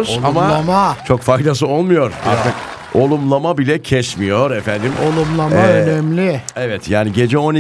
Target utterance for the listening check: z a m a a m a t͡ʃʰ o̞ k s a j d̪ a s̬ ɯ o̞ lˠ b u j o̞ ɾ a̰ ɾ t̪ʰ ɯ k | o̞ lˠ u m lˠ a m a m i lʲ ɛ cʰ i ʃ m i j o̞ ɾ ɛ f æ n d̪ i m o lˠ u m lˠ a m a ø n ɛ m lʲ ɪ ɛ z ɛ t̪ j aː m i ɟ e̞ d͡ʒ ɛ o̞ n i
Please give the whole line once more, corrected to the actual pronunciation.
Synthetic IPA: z a m a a m a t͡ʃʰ o̞ k f a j d̪ a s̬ ɯ o̞ lˠ m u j o̞ ɾ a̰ ɾ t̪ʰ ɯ k | o̞ lˠ u m lˠ a m a b i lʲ ɛ cʰ ɛ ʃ m i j o̞ ɾ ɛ f æ n d̪ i m o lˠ u m lˠ a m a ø n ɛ m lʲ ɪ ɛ v ɛ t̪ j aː n i ɟ e̞ d͡ʒ ɛ o̞ n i